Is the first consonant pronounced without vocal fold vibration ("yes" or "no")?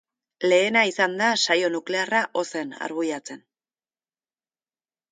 no